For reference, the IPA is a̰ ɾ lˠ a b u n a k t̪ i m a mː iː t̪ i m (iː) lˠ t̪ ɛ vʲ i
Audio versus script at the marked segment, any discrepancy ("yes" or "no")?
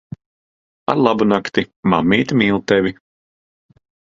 no